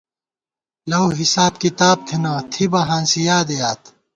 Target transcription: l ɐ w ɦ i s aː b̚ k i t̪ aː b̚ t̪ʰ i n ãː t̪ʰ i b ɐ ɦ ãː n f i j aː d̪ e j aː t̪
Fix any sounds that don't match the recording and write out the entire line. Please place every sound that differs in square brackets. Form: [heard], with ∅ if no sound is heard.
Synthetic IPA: l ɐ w ɦ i s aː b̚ k i t̪ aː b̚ t̪ʰ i n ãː t̪ʰ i b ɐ ɦ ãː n [s] i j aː d̪ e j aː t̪